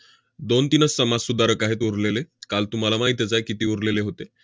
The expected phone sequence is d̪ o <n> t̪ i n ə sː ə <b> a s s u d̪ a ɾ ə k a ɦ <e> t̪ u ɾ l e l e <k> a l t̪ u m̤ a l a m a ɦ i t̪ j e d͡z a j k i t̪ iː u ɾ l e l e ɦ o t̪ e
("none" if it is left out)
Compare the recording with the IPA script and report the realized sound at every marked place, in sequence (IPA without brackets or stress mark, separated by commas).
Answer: n, m, e, k